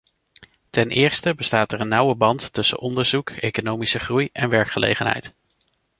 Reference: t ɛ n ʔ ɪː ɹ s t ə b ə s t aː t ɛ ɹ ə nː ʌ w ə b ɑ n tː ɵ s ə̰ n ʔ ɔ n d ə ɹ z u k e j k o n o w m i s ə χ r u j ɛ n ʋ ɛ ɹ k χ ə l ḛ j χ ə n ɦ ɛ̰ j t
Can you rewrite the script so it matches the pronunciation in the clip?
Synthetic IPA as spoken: t ɛ n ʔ ɪː ɹ s t ə b ə s t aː t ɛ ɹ ə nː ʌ w ə b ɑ n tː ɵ s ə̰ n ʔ ɔ n d ə ɹ z u k e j k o n o w m i s ə χ r u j ɛ n ʋ ɛ ɹ k χ ə l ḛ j χ ə n ɦ ɛ̰ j t